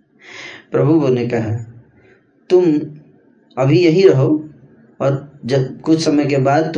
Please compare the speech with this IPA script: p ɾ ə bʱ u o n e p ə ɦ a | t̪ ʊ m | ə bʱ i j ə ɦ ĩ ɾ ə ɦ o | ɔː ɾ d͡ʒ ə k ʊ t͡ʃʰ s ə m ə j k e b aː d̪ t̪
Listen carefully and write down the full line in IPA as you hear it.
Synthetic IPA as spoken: p ɾ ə bʱ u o n e k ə ɦ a | t̪ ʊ m | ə bʱ i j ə ɦ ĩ ɾ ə ɦ o | ɔː ɾ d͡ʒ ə k ʊ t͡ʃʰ s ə m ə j k e b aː d̪ t̪